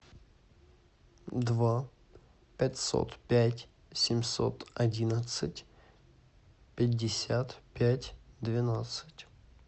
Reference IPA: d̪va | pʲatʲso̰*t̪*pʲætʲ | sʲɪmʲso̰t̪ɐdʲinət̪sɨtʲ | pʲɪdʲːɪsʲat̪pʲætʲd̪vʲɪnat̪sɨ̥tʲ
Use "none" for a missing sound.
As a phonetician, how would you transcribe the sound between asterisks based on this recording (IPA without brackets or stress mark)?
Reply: t̪